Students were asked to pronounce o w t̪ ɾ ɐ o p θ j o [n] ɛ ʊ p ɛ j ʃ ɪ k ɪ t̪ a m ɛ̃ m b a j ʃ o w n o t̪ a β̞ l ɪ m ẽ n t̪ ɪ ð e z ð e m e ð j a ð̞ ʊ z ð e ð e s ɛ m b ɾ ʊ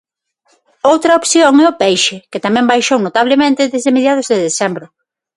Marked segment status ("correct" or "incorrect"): incorrect